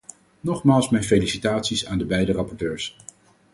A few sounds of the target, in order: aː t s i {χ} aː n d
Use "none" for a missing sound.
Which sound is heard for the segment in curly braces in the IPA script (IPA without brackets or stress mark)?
s